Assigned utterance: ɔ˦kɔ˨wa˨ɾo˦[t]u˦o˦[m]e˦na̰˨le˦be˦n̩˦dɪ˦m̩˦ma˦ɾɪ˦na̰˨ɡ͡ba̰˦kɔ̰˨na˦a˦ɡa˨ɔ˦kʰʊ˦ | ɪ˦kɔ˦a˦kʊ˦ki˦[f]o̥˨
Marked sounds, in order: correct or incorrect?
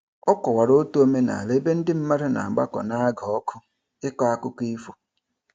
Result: correct, correct, correct

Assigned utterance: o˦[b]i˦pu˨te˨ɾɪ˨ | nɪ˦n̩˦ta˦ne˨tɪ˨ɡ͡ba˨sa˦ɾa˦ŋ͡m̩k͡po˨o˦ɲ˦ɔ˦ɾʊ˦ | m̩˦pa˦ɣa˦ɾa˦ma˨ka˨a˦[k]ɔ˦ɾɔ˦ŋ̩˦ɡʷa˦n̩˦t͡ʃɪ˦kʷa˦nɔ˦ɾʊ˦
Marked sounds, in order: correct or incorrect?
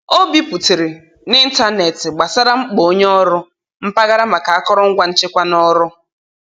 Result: correct, correct

